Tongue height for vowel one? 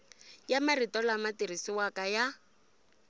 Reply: low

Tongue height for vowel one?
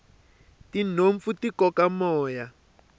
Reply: high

